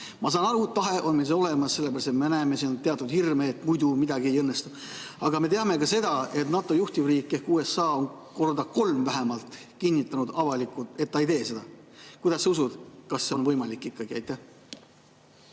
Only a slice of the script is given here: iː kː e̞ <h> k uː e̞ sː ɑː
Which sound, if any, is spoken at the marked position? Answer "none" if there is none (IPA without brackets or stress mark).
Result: h